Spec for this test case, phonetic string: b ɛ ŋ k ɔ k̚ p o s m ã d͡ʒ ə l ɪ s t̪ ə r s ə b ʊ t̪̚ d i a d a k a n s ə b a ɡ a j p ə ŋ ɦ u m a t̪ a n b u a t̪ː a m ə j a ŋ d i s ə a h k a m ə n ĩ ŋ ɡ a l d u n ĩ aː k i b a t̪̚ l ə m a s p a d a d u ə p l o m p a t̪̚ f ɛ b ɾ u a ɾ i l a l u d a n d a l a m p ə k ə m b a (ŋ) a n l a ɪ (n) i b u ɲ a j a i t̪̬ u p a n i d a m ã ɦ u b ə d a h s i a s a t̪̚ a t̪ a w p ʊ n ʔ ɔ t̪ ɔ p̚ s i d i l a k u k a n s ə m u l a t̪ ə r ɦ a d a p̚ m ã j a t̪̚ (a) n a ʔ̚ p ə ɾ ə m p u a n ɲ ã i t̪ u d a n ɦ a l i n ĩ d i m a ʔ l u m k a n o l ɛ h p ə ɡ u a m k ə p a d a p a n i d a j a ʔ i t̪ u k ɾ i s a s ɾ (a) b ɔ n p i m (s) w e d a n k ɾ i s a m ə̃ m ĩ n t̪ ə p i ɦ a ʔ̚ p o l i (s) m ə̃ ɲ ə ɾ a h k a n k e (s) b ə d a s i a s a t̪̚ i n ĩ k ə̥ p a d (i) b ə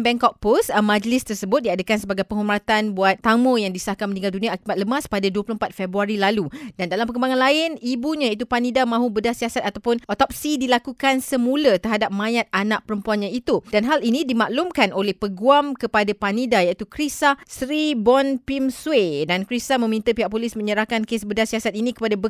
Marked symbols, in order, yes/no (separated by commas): yes, yes, yes, no, yes, yes, yes, no